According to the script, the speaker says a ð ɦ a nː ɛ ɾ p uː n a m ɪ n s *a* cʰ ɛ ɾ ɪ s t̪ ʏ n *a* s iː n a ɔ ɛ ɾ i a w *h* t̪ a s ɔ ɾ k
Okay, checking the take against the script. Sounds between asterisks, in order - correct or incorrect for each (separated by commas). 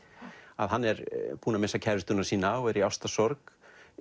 correct, correct, incorrect